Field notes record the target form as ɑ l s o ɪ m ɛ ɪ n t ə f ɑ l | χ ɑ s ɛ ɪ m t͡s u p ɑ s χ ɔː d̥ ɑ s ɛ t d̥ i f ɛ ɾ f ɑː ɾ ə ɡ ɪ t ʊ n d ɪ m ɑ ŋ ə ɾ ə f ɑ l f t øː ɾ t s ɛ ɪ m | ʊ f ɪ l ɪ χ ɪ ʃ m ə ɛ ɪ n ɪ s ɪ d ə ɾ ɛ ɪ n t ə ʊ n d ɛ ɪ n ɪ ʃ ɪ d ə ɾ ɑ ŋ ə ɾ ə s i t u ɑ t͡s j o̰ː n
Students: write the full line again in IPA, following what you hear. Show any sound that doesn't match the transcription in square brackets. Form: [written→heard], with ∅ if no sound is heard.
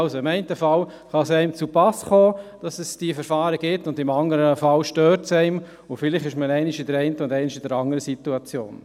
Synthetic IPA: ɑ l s o ɪ m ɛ ɪ n t ə f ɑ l | χ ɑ s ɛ ɪ m t͡s u p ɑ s χ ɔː d̥ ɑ s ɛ [t→s] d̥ i f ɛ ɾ f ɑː ɾ ə ɡ ɪ t ʊ n d ɪ m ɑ ŋ ə ɾ ə f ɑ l [f→ʃ] t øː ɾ t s ɛ ɪ m | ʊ f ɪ l ɪ χ ɪ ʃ m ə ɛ ɪ n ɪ [s→ʃ] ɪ d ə ɾ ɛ ɪ n t ə ʊ n d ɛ ɪ n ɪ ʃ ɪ d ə ɾ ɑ ŋ ə ɾ ə s i t u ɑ t͡s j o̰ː n